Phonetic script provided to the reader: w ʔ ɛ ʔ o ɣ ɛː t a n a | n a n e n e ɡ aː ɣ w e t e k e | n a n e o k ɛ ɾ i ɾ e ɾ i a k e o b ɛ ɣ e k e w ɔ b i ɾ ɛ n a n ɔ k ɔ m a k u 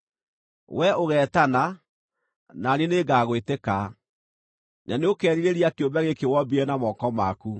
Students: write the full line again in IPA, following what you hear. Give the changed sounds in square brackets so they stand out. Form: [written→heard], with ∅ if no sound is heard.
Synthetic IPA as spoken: w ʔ ɛ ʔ o ɣ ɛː t a n a | n a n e n e ɡ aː ɣ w e t e k [e→a] | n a n e o k ɛ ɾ i ɾ e ɾ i a k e o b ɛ ɣ e k e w ɔ b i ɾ ɛ n a [n→m] ɔ k ɔ m a k u